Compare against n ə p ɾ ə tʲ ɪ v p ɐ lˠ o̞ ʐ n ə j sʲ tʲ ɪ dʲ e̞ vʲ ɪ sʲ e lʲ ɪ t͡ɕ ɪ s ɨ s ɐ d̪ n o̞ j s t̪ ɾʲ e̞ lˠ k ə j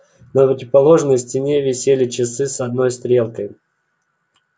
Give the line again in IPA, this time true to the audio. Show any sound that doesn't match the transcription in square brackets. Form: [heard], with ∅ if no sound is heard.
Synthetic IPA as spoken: n ə p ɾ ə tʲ ɪ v p ɐ lˠ o̞ ʐ n ə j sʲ tʲ ɪ [nʲ] e̞ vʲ ɪ sʲ e lʲ ɪ t͡ɕ ɪ s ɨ s ɐ d̪ n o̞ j s t̪ ɾʲ e̞ lˠ k ə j